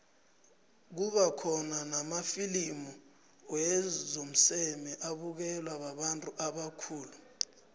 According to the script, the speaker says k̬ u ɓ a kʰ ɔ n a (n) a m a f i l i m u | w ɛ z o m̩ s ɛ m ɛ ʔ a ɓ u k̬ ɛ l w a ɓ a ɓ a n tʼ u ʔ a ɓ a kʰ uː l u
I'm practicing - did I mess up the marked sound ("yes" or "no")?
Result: no